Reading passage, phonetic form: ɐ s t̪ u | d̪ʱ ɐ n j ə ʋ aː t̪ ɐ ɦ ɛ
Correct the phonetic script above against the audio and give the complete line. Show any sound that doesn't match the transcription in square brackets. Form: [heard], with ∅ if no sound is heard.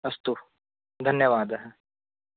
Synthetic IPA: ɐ s t̪ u | d̪ʱ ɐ n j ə ʋ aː [d̪] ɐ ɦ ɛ